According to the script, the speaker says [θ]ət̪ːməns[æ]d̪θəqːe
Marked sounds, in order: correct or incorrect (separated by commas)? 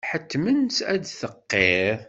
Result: incorrect, correct